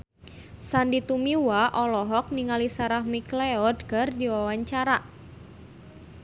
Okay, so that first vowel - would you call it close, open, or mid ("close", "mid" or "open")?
open